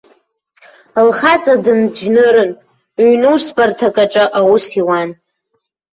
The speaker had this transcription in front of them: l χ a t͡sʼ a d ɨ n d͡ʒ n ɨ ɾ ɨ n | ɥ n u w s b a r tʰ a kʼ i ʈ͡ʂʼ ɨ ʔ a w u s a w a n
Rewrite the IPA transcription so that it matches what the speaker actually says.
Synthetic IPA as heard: l χ a t͡sʼ a d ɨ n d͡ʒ n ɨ ɾ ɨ n | ɥ n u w s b a r tʰ a kʼ a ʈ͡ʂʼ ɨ ʔ a w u s i w a n

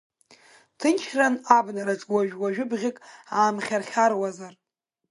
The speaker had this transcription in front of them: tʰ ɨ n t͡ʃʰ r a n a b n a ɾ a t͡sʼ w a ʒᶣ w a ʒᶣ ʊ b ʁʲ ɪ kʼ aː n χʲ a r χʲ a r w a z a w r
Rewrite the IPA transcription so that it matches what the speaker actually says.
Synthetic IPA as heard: tʰ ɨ n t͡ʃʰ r a n a b n a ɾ a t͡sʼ w a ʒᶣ w a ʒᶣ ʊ b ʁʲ ɪ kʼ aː m χʲ a r χʲ a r w a z a r

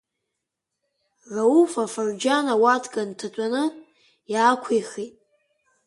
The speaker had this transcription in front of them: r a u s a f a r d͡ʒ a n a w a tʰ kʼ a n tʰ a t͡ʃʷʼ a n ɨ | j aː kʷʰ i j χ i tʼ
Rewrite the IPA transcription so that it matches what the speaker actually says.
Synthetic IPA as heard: r a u f a f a r d͡ʒ a n a w a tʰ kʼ a n tʰ a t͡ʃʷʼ a n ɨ | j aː kʷʰ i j χ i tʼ

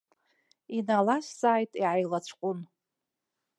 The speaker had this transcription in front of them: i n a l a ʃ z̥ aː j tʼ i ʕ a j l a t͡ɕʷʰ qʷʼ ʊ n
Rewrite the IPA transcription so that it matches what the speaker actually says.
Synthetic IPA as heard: i n a l a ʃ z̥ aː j tʼ i ʕ a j l a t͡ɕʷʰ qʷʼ ʊ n

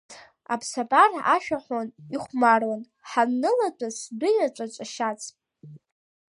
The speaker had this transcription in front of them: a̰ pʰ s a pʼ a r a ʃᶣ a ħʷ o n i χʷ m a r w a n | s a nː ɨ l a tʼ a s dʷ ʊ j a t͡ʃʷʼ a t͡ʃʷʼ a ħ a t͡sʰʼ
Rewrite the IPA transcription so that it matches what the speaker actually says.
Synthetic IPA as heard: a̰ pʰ s a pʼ a r a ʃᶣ a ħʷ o n i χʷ m a r w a n | ħ a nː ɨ l a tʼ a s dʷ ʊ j a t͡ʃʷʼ a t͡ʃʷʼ a ʃ a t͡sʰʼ

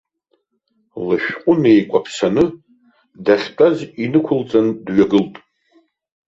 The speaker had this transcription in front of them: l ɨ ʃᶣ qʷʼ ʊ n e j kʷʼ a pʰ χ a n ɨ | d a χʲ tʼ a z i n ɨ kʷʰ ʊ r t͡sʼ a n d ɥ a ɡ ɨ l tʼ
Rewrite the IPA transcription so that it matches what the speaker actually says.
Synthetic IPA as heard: l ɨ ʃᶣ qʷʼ ʊ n e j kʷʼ a pʰ s a n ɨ | d a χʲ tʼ a z i n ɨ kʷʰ ʊ l t͡sʼ a n d ɥ a ɡ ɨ l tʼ

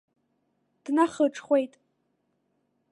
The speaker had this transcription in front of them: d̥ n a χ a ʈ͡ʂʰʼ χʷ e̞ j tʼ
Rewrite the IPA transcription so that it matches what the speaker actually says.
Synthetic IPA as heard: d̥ n a χ ə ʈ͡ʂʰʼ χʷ e̞ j tʼ

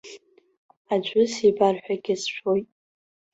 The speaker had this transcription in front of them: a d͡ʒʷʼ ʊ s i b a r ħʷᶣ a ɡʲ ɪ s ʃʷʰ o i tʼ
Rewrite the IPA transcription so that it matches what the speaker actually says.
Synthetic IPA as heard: a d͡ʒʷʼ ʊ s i b a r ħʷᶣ a ɡʲ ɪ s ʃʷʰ o j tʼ

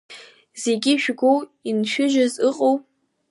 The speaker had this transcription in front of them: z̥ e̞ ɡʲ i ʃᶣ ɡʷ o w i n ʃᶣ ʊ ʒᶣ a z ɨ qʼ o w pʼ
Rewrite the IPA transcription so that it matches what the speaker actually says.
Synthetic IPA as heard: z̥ e̞ ɡʲ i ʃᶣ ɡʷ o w i n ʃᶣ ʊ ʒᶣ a z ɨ qʼ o w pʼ

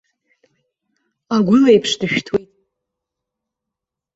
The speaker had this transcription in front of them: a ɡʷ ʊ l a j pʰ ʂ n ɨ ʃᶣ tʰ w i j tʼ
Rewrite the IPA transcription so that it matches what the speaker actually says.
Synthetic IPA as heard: a ɡʷ ʊ l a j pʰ ʂ d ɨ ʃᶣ tʰ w e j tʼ

